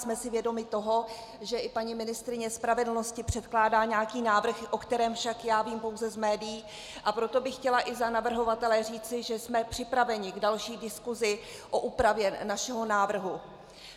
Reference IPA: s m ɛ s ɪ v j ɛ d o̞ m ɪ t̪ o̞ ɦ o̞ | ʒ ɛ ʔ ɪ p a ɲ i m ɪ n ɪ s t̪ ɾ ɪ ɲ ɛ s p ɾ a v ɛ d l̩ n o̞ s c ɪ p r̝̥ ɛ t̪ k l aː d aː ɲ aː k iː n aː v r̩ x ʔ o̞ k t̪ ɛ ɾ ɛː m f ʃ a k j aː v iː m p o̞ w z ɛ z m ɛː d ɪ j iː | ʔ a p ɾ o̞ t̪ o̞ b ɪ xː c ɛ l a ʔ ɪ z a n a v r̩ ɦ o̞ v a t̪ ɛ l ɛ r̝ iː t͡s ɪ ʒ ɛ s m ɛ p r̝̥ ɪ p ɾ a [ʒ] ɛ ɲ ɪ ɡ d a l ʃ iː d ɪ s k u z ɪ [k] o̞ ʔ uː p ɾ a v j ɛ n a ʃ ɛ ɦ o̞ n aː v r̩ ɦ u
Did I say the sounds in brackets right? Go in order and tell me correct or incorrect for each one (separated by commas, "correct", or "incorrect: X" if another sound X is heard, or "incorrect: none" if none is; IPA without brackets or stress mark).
incorrect: v, incorrect: ʔ